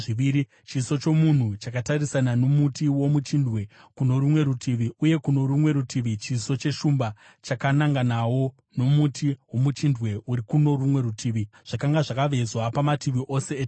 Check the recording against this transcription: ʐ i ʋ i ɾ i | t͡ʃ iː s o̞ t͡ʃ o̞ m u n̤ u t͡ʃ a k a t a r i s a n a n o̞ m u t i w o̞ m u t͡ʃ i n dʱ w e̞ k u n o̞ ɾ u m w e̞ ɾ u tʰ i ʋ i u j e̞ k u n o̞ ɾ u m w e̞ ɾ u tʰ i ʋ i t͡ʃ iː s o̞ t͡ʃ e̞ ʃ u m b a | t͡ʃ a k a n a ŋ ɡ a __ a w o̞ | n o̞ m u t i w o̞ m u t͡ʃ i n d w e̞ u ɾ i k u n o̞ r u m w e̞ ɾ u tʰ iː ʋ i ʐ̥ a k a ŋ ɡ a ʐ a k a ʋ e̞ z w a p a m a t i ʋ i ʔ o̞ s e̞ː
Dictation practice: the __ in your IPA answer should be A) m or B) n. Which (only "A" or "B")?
B